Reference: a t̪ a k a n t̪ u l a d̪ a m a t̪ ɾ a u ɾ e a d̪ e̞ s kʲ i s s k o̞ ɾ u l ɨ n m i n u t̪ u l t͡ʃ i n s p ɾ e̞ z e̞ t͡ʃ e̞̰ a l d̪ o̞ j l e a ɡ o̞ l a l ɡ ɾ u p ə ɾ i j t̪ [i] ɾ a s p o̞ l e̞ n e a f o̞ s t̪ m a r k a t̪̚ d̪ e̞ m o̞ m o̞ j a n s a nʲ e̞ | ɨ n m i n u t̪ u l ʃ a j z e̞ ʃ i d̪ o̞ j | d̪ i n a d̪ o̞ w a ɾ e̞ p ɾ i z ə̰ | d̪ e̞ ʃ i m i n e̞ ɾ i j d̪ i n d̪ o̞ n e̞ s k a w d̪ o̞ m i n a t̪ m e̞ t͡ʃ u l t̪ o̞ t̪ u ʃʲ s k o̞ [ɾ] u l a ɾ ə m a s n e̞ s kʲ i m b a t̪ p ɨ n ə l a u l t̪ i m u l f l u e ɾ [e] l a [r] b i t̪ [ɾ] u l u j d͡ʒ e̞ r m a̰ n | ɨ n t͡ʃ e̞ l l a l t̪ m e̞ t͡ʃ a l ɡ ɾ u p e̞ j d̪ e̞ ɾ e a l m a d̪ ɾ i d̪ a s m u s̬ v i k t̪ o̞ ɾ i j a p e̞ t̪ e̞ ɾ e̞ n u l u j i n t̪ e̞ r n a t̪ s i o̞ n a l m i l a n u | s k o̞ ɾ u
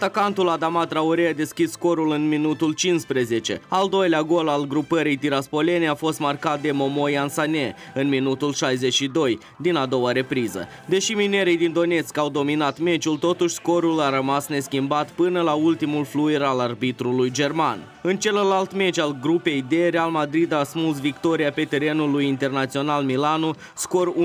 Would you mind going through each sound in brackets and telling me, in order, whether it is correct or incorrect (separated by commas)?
correct, correct, incorrect, correct, correct